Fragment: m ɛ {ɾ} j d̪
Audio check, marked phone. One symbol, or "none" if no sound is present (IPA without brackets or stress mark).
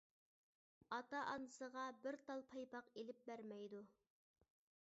none